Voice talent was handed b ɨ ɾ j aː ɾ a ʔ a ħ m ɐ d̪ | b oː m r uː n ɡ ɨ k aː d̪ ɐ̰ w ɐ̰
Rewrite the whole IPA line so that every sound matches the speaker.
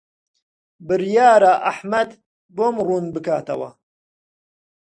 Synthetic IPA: b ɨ ɾ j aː ɾ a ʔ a ħ m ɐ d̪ | b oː m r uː n b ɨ k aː t̪ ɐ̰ w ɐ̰